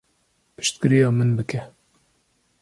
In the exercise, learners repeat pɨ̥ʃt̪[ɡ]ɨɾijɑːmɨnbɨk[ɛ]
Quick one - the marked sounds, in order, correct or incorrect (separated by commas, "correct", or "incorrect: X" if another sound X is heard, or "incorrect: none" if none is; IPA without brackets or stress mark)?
incorrect: k, correct